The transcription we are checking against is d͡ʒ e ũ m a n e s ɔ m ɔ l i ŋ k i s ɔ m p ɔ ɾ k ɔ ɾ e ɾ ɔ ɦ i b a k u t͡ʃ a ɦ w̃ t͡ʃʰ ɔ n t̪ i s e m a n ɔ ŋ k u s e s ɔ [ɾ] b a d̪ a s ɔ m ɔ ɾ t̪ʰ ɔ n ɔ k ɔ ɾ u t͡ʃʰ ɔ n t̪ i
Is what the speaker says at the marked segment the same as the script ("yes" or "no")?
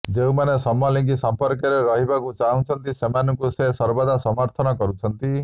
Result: yes